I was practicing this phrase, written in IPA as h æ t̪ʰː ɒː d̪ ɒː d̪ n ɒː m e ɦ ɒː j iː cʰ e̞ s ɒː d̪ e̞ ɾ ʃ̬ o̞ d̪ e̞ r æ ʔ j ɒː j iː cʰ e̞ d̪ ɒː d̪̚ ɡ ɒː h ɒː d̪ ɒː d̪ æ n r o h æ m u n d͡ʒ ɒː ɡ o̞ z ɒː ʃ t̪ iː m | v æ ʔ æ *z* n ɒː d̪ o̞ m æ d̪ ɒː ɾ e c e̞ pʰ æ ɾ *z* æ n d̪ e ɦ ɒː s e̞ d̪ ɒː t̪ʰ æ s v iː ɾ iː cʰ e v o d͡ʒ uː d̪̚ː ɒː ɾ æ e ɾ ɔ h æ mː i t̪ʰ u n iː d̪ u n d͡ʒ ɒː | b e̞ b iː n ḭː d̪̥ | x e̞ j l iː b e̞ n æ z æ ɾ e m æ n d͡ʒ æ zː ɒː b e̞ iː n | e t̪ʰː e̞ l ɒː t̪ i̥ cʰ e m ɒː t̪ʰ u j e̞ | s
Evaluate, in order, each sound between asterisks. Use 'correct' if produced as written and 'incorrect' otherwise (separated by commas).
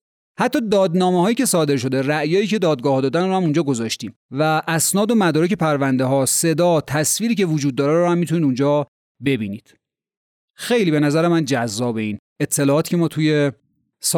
incorrect, incorrect